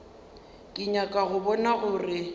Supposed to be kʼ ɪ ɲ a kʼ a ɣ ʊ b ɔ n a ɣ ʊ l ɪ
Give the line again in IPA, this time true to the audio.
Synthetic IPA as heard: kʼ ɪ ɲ a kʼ a ɣ ʊ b ɔ n a ɣ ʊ r ɪ